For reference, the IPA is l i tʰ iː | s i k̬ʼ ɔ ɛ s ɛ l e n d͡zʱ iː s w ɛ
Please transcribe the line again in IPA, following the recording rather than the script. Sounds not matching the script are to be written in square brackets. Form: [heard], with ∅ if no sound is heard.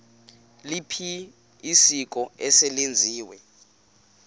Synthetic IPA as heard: l i [pʰ] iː | s i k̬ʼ ɔ ɛ s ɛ l e n d͡zʱ iː [∅] w ɛ